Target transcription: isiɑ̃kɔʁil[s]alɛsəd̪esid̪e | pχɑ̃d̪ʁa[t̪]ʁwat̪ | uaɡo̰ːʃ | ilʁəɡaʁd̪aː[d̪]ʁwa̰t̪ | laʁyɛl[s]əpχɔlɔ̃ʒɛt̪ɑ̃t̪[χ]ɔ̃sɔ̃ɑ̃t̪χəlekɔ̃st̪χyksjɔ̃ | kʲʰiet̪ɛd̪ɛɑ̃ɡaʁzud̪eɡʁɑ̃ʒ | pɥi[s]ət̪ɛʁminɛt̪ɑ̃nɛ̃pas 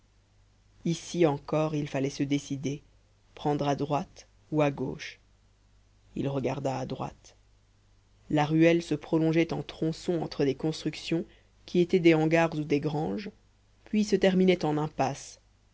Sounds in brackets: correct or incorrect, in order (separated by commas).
incorrect, incorrect, correct, correct, correct, correct